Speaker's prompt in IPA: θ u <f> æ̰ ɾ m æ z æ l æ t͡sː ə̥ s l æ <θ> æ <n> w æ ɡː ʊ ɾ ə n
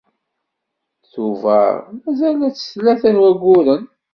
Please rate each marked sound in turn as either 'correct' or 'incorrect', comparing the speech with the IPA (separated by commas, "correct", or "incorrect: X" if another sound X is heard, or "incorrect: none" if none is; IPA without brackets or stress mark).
incorrect: v, correct, correct